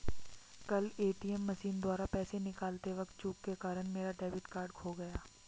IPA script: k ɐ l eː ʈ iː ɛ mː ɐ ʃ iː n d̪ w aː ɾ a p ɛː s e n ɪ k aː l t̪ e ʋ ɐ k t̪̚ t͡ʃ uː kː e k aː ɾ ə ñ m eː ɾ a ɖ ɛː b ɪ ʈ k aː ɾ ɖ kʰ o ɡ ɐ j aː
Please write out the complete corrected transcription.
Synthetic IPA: k ɐ l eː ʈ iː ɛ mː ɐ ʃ iː n d̪ w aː ɾ a p ɛː s e n ɪ k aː l t̪ e ʋ ɐ k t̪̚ t͡ʃ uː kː e k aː ɾ ə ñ m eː ɾ a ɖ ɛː b ɪ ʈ k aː ɾ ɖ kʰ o ɡ ɐ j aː

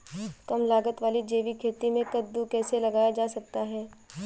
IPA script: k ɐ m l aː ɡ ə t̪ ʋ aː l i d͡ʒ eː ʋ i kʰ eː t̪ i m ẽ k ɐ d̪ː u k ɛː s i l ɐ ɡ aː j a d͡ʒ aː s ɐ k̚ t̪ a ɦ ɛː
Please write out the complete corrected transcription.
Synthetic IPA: k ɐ m l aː ɡ ə t̪ ʋ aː l i d͡ʒ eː ʋ i kʰ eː t̪ i m ẽ k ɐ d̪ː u k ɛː s e l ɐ ɡ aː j a d͡ʒ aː s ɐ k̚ t̪ a ɦ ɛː

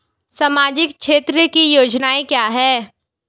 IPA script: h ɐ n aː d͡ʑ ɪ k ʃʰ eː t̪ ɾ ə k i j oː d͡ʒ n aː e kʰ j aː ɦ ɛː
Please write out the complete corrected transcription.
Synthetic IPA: s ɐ m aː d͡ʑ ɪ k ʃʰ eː t̪ ɾ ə k i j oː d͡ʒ n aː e k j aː ɦ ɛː

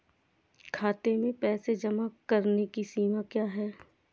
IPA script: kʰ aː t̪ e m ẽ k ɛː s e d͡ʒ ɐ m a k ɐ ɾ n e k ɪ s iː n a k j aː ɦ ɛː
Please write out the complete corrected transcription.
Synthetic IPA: kʰ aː t̪ e m ẽ p ɛː s e d͡ʒ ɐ m a k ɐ ɾ n e k i s iː m a k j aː ɦ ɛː

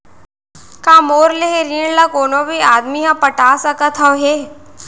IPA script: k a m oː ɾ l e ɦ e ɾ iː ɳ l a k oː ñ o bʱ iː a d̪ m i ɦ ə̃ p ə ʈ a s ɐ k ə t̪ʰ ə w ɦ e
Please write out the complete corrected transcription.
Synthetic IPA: k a m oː ɾ l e ɦ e ɾ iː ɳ l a k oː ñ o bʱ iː a d̪ m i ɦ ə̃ p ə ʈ a s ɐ k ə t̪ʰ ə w ɦ e

